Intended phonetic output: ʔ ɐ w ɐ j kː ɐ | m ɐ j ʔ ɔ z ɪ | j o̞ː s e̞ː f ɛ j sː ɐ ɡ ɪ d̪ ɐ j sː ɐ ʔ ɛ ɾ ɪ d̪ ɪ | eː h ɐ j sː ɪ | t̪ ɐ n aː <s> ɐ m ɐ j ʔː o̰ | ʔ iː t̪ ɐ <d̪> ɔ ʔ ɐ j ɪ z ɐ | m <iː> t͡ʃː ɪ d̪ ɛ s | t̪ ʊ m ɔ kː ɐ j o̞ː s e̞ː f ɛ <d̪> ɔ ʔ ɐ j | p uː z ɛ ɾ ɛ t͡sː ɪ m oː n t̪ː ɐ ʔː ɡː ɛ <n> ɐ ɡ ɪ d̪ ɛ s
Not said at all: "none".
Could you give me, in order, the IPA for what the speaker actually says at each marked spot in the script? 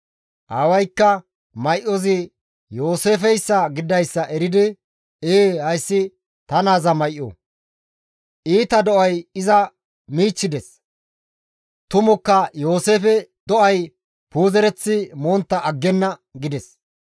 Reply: z, d̪, iː, d̪, nː

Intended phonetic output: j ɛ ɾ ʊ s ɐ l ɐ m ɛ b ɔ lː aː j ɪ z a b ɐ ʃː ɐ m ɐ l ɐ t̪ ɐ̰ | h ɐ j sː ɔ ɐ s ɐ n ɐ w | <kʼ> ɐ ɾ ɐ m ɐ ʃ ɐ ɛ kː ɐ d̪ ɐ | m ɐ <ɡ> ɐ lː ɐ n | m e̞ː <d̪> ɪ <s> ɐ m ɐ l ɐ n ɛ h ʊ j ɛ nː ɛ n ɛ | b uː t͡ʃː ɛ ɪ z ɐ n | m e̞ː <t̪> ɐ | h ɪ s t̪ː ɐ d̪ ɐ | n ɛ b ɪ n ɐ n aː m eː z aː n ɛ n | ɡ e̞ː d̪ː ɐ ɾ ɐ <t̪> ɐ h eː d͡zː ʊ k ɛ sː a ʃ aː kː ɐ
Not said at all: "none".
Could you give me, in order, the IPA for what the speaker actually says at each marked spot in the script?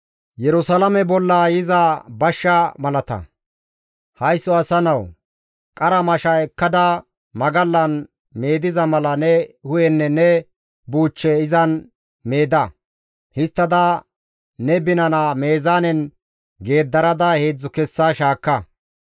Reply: kʼ, ɡ, d̪, z, d̪, d̪

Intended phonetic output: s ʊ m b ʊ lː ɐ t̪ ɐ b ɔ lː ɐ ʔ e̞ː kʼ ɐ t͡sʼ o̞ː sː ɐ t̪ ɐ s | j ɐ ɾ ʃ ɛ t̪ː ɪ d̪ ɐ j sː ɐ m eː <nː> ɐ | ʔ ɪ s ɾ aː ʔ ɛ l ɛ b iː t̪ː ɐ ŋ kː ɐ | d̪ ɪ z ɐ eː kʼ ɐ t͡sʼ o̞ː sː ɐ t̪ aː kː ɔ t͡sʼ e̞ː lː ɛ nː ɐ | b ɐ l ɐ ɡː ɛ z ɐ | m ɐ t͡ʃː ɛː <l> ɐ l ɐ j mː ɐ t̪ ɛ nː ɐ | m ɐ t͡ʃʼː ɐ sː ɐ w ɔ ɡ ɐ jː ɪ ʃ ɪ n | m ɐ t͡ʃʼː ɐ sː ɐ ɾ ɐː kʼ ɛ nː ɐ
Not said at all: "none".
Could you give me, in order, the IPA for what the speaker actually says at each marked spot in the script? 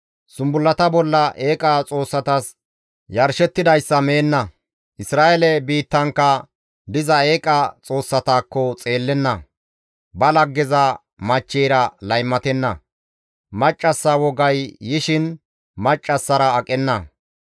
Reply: nː, ɾ

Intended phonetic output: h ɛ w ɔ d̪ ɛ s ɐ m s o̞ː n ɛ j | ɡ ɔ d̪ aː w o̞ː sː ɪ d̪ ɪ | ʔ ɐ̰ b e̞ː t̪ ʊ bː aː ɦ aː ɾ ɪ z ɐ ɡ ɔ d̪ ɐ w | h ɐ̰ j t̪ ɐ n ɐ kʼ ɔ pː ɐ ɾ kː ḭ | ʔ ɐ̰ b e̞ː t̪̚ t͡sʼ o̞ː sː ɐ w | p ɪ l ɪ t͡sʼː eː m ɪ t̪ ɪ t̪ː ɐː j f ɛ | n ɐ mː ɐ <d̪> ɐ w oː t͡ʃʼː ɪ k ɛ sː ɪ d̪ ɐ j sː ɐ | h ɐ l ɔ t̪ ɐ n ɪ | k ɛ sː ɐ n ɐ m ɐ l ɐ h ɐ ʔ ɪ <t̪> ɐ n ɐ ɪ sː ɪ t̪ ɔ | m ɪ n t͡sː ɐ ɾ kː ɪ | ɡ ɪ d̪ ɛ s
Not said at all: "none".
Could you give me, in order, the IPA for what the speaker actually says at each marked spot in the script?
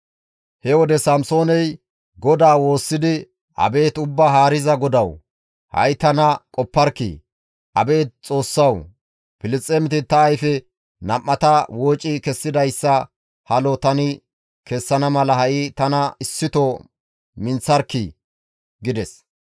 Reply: t̪, t̪

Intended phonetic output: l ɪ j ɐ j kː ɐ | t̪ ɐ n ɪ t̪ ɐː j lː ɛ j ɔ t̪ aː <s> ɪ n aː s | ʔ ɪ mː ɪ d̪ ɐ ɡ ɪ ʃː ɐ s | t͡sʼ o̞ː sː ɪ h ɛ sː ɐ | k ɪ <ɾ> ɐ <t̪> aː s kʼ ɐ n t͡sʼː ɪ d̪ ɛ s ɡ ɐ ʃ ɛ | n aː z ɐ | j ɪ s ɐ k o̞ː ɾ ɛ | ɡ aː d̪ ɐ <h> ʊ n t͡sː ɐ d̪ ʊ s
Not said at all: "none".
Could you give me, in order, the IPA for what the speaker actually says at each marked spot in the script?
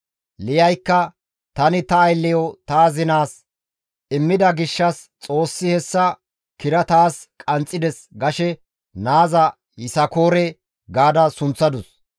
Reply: z, ɾ, t̪, s

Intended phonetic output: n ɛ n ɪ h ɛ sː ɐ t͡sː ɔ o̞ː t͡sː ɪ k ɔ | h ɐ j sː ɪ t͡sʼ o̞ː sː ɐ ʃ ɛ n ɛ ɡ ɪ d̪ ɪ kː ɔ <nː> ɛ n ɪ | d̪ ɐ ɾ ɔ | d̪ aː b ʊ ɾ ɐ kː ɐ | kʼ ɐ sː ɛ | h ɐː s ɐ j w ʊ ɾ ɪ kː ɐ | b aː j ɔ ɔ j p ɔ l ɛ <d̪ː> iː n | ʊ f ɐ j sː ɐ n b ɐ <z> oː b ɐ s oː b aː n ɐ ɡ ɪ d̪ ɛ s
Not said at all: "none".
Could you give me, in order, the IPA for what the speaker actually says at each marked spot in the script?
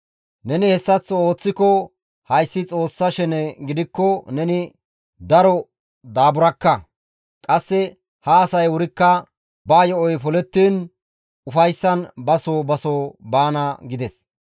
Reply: n, t̪ː, s

